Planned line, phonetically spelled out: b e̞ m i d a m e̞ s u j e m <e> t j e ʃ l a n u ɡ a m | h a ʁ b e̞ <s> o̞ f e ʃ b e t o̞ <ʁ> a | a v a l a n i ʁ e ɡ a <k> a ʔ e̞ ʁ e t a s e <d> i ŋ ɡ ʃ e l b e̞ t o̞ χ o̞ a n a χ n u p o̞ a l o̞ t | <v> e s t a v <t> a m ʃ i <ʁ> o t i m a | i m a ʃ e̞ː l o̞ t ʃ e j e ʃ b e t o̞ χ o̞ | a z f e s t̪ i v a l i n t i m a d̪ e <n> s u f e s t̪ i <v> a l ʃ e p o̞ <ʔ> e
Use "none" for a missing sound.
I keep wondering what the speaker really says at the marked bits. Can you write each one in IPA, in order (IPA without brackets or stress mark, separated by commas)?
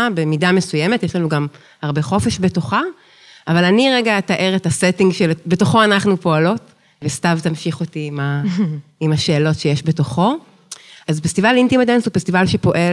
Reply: e, χ, χ, t, t, v, t, χ, n, v, ʔ